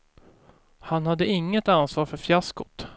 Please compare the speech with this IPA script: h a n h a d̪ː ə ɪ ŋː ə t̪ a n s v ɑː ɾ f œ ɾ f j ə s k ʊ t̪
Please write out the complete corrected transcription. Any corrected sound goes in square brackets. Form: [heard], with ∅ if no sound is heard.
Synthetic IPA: h a n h a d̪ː ə ɪ ŋː ə t̪ a n s v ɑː ɾ f œ ɾ f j [a] s k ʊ t̪